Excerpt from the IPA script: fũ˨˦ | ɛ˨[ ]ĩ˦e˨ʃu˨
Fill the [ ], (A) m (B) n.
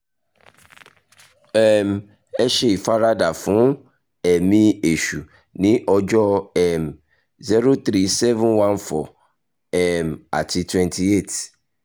A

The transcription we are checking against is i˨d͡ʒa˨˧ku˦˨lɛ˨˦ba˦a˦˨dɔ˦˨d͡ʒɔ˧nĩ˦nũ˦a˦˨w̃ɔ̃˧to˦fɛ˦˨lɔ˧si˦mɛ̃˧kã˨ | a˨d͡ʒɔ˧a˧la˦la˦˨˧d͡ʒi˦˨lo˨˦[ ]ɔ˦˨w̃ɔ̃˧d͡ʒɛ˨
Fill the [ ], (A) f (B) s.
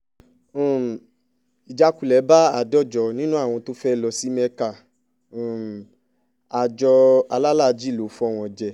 A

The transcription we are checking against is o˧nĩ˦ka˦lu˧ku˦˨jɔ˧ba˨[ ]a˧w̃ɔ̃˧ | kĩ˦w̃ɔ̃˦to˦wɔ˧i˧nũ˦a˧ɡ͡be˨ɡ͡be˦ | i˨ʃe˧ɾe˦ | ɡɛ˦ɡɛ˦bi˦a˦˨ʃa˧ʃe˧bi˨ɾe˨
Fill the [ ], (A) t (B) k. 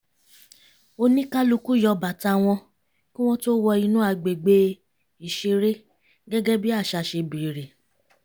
A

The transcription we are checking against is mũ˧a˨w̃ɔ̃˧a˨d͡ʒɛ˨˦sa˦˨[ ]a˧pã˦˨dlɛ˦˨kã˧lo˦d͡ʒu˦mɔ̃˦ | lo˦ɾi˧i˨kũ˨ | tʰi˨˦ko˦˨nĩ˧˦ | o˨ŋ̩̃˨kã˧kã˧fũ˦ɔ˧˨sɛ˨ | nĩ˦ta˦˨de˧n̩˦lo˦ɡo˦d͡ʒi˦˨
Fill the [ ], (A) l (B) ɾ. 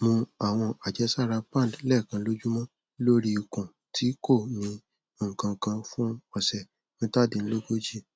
B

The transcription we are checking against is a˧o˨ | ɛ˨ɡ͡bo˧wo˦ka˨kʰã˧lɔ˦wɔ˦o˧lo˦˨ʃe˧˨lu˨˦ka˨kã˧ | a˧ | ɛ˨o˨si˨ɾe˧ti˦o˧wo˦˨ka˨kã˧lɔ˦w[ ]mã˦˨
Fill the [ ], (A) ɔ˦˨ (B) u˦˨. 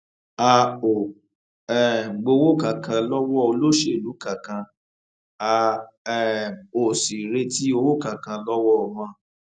A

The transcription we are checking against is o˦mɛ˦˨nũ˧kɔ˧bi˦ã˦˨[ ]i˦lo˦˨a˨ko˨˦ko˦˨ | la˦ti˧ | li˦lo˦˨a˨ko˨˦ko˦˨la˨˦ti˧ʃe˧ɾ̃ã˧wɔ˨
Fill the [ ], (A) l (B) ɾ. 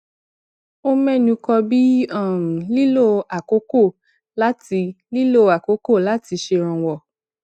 A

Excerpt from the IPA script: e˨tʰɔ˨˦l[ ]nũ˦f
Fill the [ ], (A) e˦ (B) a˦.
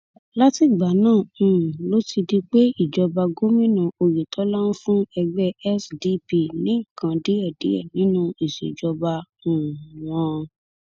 B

